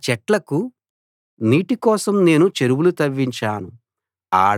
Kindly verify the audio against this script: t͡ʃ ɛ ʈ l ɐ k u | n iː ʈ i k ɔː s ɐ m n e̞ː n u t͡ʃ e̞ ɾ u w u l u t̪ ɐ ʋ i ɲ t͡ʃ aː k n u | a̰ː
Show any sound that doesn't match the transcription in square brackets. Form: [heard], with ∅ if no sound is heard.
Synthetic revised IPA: t͡ʃ ɛ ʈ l ɐ k u | n iː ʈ i k ɔː s ɐ m n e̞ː n u t͡ʃ e̞ ɾ u w u l u t̪ ɐ [ʋː] i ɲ t͡ʃ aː [∅] n u | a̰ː